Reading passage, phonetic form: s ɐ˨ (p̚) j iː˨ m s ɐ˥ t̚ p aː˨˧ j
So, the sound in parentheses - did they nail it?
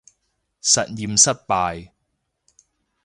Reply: no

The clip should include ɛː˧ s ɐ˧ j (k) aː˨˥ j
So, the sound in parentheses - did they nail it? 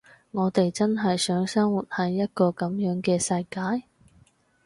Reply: yes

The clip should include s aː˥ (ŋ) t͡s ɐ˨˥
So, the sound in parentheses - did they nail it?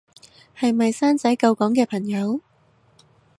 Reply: no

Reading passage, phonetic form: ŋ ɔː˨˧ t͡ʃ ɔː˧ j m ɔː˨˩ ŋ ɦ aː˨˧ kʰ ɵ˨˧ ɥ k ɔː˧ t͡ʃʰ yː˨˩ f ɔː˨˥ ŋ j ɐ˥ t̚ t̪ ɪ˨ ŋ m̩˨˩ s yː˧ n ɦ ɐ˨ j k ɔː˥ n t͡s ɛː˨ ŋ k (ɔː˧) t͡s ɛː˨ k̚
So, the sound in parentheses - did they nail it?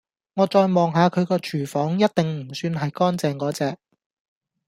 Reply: no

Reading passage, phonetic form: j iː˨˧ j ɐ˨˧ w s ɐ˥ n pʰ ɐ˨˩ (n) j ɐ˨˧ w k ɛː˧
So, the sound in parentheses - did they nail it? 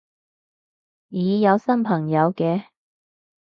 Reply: no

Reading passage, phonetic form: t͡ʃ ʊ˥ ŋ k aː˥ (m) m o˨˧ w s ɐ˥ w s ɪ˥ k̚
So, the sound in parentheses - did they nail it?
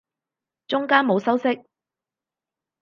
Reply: no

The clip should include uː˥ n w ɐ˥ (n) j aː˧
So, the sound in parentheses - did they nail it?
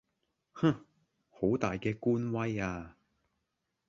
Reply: no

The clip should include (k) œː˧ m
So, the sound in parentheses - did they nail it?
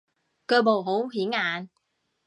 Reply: yes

